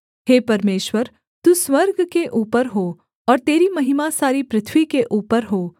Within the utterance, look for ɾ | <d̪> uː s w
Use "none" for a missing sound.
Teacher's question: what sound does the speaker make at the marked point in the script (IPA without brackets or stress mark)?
t̪